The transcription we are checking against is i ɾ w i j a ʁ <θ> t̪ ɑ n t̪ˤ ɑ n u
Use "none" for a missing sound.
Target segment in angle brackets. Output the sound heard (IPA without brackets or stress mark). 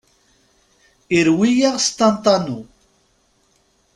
s